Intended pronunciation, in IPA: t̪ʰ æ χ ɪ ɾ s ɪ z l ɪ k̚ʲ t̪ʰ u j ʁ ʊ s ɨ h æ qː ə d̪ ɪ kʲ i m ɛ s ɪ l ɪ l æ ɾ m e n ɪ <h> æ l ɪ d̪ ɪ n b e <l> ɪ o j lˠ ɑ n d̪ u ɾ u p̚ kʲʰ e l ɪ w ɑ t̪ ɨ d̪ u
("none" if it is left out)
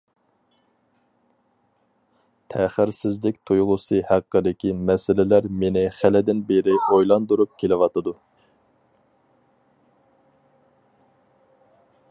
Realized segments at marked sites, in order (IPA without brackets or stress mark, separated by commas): χ, ɾ